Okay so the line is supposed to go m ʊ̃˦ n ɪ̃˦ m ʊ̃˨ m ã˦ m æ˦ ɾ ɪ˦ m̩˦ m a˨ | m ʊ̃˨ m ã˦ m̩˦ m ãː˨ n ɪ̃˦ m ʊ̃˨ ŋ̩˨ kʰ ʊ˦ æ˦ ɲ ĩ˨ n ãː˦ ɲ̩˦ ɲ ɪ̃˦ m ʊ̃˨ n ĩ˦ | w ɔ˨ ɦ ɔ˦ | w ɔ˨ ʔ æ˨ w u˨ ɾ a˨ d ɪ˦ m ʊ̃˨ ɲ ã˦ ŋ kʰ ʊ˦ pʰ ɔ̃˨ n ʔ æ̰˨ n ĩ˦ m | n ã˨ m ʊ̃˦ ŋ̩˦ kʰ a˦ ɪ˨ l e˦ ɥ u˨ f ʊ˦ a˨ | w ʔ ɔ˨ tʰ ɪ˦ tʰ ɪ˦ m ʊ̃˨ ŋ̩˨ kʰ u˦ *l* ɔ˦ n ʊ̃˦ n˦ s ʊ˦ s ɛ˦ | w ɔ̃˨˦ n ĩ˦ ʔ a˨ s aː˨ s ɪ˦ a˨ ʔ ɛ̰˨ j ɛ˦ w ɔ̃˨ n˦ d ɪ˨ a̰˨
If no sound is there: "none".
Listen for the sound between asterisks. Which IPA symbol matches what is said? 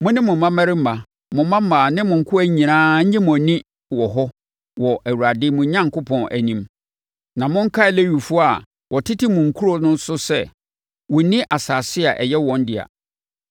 ɾ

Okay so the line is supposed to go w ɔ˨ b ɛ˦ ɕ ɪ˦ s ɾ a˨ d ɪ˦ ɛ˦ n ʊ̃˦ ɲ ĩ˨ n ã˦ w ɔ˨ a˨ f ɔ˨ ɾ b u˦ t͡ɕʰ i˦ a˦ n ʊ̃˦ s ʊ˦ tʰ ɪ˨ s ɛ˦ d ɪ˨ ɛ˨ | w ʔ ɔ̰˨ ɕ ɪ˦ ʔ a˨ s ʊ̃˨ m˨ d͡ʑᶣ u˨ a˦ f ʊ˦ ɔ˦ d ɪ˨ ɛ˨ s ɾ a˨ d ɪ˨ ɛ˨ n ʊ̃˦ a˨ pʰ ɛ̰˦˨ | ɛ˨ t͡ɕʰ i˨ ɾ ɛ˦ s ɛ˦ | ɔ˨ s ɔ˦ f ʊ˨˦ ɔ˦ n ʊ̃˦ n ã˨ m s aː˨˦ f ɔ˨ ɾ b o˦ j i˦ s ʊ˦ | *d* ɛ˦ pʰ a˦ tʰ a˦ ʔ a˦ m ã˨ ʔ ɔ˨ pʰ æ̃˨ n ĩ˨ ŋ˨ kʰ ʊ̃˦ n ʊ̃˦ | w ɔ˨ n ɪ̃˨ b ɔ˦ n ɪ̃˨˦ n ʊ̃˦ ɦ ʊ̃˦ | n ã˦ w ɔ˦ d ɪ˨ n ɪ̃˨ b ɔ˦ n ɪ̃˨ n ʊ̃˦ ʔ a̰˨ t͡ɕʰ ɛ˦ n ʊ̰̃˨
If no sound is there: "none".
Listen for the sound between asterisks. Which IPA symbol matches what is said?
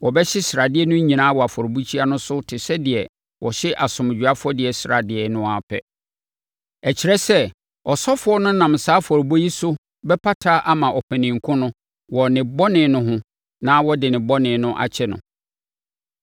b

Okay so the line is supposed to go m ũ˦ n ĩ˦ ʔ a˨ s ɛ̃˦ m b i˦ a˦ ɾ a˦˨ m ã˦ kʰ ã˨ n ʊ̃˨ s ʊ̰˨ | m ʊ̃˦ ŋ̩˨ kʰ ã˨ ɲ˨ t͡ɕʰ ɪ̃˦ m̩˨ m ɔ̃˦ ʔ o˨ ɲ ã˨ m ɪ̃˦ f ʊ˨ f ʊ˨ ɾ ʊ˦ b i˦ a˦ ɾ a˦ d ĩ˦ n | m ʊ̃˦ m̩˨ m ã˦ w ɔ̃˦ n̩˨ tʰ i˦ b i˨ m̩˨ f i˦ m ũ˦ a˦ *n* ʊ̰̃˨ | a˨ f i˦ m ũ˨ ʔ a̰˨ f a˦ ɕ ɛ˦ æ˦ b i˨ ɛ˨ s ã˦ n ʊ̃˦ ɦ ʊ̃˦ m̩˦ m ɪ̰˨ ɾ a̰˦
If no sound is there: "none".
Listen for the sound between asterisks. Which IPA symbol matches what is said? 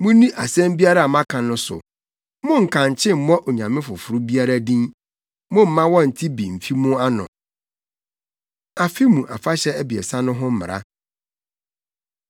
n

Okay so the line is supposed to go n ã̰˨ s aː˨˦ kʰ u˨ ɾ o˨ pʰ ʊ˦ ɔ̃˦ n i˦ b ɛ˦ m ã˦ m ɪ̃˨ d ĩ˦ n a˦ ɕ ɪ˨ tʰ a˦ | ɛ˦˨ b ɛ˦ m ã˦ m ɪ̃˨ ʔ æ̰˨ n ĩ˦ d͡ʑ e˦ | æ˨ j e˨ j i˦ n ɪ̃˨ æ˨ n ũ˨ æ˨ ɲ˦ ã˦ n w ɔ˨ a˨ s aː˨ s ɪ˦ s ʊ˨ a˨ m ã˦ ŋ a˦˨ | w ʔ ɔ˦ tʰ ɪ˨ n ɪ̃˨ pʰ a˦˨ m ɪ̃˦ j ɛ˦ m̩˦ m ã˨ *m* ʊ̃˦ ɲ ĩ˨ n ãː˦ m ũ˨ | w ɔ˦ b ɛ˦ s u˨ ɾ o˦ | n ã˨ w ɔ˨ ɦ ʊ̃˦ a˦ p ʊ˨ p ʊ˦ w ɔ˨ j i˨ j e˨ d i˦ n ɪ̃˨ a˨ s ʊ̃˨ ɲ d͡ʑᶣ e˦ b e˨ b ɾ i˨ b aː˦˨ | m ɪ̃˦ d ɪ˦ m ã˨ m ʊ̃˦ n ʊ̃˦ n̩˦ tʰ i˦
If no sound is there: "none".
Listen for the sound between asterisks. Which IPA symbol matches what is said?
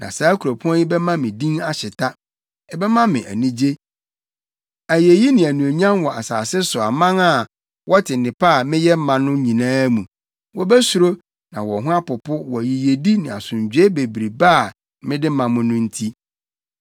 n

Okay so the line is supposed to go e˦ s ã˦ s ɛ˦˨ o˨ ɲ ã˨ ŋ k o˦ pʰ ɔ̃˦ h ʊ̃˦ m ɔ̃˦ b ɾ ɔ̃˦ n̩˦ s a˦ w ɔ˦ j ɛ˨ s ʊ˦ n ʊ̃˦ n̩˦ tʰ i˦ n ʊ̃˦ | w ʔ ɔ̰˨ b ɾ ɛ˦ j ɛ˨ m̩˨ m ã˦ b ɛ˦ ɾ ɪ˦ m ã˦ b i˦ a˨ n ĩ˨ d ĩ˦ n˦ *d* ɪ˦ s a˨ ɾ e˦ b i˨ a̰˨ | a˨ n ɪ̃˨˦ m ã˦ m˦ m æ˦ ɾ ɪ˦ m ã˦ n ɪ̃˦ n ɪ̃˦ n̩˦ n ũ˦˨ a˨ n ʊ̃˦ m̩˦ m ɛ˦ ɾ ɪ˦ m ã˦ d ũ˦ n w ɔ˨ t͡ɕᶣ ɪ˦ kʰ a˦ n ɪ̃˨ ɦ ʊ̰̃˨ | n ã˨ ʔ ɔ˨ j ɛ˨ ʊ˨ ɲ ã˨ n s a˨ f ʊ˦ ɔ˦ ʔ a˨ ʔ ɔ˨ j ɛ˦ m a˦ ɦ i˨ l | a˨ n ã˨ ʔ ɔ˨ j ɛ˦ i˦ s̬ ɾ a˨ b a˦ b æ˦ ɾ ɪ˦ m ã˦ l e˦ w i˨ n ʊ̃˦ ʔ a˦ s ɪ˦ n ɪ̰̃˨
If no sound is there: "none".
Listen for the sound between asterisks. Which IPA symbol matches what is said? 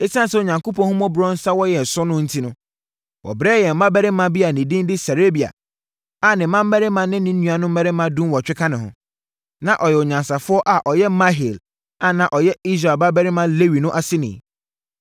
d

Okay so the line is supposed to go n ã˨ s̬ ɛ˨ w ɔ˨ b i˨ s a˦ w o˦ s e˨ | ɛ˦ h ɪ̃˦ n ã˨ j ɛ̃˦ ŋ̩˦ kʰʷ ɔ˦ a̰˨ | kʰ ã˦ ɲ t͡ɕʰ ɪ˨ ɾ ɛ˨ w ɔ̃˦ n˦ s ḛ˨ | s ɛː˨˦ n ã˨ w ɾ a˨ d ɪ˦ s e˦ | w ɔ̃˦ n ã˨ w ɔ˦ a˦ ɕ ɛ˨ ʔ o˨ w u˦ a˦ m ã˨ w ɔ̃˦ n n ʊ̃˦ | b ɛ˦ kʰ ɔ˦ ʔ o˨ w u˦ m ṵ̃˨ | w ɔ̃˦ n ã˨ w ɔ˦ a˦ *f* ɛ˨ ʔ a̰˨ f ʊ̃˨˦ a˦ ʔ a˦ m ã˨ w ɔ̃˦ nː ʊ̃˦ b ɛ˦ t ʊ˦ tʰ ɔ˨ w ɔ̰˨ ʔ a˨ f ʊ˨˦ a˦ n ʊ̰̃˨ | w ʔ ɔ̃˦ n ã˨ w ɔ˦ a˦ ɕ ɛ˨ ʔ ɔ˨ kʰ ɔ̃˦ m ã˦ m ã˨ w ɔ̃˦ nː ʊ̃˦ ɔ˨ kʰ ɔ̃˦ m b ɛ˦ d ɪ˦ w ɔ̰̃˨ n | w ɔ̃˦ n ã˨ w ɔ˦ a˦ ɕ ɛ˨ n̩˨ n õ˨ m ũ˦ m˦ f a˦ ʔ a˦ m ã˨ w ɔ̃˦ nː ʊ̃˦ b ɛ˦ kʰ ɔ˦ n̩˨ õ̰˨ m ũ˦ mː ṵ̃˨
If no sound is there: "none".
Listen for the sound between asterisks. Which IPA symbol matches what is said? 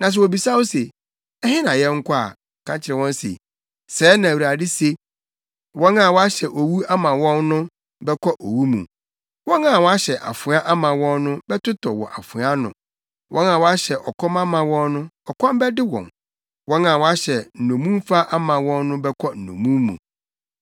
ɕ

